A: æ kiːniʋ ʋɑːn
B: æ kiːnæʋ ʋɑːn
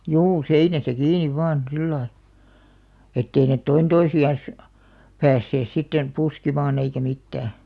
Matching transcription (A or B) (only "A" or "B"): A